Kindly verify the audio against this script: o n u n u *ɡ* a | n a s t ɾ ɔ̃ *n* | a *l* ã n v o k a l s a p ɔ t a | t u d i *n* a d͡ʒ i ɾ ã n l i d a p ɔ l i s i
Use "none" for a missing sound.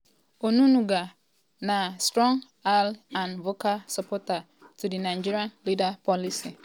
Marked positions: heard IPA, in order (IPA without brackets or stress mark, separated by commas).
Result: ɡ, ŋ, l, n